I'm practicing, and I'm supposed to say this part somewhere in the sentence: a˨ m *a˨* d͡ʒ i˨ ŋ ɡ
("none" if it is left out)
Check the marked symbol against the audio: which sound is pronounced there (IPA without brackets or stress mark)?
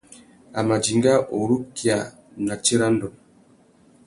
a˨